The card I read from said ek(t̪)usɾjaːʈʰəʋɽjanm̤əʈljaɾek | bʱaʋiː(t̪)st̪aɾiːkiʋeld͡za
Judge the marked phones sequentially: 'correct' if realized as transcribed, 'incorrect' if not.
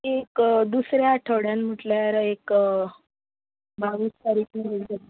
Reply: incorrect, incorrect

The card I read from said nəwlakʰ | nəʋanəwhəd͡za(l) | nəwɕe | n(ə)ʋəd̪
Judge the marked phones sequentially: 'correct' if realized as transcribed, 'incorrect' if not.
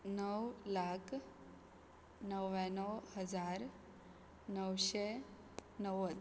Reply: incorrect, correct

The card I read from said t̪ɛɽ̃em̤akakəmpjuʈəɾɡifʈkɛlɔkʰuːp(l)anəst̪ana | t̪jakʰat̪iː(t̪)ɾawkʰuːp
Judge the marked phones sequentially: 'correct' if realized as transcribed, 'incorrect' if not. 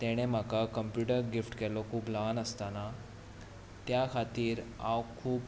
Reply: correct, incorrect

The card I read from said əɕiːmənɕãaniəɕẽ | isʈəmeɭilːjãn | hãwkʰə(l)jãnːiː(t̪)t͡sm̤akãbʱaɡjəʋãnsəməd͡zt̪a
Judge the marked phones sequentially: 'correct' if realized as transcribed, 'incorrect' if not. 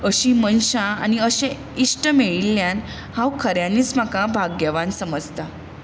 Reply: incorrect, incorrect

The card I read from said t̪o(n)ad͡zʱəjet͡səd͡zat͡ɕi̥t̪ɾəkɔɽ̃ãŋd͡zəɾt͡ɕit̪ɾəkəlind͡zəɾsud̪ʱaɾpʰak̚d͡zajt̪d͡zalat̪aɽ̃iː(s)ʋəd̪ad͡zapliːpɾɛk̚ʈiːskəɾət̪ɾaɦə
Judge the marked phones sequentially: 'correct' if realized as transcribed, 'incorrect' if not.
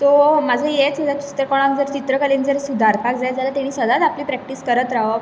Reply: incorrect, correct

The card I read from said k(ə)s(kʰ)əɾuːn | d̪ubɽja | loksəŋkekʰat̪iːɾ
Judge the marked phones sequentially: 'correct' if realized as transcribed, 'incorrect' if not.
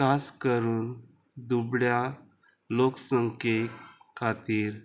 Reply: incorrect, incorrect

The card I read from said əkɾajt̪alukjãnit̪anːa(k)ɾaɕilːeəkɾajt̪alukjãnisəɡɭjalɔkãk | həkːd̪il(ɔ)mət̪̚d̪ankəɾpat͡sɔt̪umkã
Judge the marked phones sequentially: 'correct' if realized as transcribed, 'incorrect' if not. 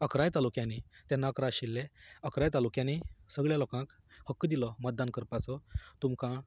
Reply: correct, correct

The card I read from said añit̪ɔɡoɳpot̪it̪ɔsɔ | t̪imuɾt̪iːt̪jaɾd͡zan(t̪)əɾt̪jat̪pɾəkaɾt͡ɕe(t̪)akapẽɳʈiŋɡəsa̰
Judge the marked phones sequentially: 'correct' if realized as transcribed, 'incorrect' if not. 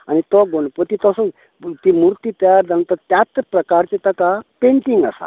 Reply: correct, correct

